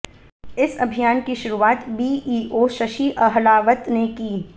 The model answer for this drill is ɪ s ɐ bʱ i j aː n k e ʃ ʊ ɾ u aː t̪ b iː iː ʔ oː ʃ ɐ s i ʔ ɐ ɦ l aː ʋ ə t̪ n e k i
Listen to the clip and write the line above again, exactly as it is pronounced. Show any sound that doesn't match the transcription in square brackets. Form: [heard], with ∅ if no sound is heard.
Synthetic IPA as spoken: ɪ s ɐ bʱ i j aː n k [i] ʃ ʊ ɾ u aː t̪ b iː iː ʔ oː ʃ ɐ [ʃ] i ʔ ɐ ɦ l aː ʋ ə t̪ n e k [iː]